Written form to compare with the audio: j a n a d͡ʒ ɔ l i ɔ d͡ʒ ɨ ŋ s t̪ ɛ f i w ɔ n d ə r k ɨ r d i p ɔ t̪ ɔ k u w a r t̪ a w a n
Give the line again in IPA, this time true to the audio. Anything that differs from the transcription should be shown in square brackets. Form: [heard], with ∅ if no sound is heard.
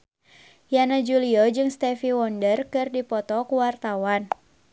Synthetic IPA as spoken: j a n a d͡ʒ [u] l i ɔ d͡ʒ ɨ ŋ s t̪ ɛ f i w ɔ n d ə r k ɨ r d i p ɔ t̪ ɔ k u w a r t̪ a w a n